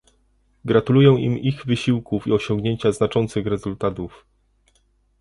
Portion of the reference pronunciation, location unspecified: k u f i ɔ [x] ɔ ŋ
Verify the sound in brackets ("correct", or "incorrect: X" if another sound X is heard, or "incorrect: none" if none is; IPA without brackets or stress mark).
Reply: incorrect: ɕ